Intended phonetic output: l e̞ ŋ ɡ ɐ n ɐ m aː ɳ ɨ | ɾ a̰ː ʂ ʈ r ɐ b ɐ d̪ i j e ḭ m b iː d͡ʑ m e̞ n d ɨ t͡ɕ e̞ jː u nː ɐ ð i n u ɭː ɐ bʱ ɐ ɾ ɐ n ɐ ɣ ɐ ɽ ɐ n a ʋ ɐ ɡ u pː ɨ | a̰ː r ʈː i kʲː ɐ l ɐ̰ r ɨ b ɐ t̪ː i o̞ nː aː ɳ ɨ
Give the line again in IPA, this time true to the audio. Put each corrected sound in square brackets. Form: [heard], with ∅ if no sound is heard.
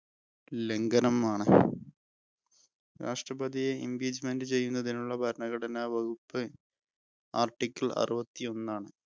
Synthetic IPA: l e̞ ŋ ɡ ɐ n ɐ m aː ɳ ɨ | ɾ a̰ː ʂ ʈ r ɐ b ɐ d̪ i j e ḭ m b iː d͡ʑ m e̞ n d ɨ t͡ɕ e̞ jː u nː ɐ ð i n u ɭː ɐ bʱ ɐ ɾ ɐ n ɐ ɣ ɐ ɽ ɐ n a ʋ ɐ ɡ u pː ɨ | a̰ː r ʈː i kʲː ɐ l ɐ̰ r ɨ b ɐ t̪ː i o̞ nː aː ɳ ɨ